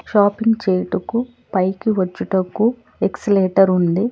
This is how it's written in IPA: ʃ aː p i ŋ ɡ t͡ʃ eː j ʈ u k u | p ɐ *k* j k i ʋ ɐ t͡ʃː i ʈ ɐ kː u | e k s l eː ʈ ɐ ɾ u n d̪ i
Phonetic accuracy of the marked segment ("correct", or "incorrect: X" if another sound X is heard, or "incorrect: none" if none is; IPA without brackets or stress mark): incorrect: none